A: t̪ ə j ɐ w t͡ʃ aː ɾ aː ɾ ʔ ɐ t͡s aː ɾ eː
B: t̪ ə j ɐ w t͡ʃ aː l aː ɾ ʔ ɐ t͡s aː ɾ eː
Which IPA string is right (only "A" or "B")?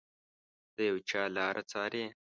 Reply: B